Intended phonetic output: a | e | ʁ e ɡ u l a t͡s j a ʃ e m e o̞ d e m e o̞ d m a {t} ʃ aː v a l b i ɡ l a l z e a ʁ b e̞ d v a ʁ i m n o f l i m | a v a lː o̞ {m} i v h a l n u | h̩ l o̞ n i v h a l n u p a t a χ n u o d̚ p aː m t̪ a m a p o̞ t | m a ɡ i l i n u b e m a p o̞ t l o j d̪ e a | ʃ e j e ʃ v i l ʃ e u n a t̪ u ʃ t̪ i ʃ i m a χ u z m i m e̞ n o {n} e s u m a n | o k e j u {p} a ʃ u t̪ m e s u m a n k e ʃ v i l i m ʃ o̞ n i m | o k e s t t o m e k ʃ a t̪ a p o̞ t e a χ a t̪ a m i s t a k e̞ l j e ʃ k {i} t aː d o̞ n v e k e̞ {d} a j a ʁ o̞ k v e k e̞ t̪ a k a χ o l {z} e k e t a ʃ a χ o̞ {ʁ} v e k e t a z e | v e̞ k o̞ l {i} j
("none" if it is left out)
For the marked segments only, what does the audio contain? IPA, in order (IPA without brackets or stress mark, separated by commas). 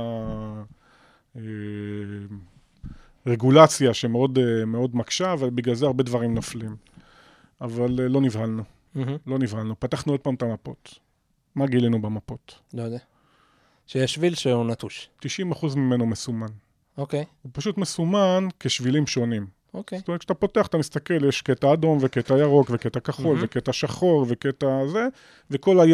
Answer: k, n, m, p, e, t, v, ʁ, a